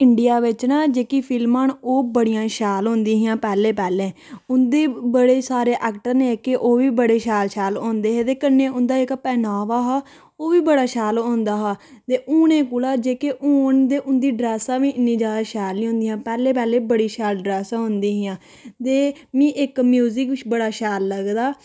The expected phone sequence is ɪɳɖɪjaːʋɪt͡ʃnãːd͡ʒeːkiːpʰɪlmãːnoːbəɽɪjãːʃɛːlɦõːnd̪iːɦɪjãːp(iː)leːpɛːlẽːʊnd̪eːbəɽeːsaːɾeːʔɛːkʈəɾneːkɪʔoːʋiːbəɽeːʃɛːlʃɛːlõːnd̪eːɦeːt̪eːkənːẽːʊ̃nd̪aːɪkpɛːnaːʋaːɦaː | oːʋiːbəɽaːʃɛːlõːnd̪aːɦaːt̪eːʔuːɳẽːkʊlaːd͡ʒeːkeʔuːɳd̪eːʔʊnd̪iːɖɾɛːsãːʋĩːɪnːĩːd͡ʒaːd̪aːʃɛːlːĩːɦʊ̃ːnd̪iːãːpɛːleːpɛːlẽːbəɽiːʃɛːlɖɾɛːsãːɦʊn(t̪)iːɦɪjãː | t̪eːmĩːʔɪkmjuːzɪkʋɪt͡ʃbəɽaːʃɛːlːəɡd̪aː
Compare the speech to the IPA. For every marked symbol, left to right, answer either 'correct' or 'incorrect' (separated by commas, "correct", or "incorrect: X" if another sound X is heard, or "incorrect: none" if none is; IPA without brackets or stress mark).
incorrect: ɛː, incorrect: d̪